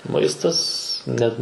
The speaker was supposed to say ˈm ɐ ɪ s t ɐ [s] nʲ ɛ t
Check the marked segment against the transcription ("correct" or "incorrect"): correct